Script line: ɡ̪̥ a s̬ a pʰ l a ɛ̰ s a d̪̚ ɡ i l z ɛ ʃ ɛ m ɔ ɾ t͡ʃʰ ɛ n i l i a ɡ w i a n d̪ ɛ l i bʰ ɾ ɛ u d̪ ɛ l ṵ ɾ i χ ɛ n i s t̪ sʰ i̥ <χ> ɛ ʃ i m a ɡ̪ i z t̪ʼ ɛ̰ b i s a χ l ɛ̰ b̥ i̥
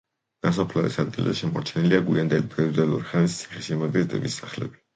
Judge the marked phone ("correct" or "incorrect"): correct